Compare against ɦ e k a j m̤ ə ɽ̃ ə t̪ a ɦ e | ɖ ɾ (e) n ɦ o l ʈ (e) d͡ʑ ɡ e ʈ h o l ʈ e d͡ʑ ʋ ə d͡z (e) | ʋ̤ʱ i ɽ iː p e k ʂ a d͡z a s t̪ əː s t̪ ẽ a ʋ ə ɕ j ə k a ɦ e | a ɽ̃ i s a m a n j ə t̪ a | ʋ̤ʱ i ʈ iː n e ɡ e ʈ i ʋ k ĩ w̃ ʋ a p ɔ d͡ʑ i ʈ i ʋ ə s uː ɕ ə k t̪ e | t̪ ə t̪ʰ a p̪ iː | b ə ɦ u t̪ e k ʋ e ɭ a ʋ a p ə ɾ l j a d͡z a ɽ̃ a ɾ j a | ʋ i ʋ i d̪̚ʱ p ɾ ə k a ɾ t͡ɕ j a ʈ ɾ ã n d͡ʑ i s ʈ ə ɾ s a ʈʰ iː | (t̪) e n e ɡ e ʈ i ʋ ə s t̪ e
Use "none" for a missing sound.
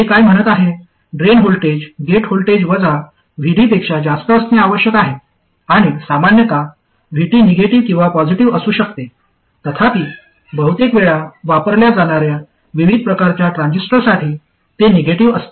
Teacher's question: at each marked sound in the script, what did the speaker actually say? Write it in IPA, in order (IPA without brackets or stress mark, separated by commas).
e, e, a, t̪